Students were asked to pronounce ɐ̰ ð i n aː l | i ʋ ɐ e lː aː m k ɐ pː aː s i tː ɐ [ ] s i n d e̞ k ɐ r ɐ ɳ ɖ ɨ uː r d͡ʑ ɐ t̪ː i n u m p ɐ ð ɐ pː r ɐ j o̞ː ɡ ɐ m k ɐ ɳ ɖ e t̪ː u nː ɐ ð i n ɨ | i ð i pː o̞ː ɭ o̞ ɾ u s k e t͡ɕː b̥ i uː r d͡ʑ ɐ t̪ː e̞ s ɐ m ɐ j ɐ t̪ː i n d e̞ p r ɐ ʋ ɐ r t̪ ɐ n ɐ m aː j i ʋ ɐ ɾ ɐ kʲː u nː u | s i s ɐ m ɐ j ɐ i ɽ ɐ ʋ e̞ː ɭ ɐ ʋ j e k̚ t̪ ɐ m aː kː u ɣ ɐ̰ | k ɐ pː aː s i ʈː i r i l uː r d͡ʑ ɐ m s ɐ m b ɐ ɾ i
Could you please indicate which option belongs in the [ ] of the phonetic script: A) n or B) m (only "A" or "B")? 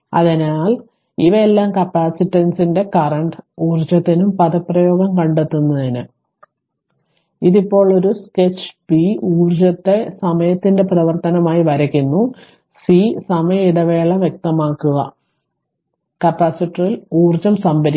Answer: A